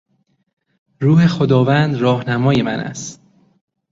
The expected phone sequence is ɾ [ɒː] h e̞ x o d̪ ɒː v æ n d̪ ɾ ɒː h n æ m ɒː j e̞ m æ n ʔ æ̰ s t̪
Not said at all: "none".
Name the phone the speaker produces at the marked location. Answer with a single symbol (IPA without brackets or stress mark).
uː